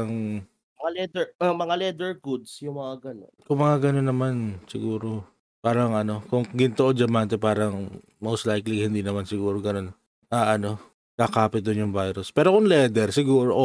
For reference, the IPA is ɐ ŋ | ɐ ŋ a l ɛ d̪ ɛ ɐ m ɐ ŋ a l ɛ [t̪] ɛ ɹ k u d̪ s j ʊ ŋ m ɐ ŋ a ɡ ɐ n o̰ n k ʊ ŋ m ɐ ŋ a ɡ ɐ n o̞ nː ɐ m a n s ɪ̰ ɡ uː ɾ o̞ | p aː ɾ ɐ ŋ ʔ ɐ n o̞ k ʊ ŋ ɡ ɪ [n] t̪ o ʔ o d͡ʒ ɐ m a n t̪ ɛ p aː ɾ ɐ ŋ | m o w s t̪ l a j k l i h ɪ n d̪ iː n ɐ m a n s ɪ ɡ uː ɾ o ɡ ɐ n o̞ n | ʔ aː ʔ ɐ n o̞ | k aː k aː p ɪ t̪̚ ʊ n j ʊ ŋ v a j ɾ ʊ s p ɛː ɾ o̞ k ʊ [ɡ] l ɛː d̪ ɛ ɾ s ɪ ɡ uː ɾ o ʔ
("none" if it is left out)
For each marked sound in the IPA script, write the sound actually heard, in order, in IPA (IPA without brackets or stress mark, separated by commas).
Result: d̪, n, ŋ